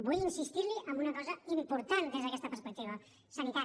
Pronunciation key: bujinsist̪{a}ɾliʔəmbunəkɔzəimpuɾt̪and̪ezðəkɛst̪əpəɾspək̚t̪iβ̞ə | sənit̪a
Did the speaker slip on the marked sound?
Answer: yes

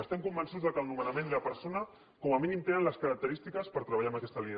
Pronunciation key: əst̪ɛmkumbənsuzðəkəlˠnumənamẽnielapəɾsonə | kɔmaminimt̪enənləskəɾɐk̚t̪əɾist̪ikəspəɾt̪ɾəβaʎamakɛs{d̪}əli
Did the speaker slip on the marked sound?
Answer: yes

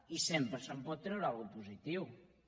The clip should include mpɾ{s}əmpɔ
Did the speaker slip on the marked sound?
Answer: no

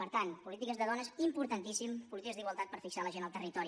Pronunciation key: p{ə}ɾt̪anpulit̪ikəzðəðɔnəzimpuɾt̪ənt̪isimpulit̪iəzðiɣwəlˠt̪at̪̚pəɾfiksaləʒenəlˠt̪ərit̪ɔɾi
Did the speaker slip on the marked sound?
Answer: no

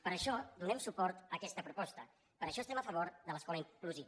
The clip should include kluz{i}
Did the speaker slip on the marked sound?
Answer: no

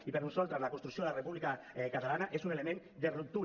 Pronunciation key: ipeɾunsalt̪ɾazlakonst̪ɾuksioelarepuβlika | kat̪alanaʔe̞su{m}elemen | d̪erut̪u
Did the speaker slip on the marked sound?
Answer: yes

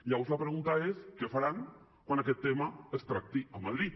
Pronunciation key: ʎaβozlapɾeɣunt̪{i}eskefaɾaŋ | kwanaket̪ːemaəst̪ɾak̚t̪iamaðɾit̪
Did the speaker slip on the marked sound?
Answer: yes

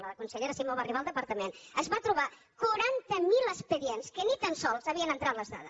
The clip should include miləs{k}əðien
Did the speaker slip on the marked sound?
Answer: yes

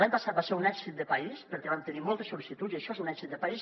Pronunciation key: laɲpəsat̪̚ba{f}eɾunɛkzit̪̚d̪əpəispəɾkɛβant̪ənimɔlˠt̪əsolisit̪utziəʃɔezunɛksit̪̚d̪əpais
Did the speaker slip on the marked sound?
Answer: yes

